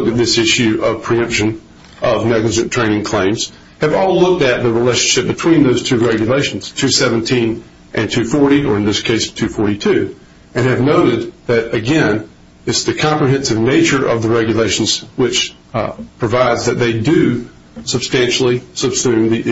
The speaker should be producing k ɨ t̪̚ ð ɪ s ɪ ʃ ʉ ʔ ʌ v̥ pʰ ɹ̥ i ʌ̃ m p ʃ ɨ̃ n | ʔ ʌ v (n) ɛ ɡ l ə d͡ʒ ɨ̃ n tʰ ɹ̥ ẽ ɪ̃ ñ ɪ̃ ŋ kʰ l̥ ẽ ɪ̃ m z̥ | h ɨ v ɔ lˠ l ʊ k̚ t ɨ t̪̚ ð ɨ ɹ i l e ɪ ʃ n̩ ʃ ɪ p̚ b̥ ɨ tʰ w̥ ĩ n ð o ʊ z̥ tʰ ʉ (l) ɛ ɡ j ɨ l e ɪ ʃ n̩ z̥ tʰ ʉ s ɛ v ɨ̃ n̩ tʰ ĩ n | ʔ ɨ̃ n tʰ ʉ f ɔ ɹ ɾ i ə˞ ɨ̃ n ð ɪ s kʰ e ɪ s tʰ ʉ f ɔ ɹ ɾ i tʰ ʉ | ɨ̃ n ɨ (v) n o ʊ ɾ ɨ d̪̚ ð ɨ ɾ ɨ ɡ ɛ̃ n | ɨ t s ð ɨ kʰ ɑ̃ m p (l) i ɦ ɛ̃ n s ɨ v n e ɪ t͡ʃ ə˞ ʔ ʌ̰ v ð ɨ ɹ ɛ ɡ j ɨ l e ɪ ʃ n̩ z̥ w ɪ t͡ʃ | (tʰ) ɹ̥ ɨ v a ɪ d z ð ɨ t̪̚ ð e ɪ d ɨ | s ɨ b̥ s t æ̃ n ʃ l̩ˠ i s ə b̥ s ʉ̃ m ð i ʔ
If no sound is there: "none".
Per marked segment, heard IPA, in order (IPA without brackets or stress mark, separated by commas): n, ɹ, v, ɹ, pʰ